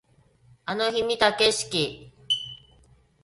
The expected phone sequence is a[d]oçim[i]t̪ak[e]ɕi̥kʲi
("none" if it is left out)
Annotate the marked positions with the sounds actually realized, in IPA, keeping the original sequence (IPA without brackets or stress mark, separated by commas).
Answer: n, i, e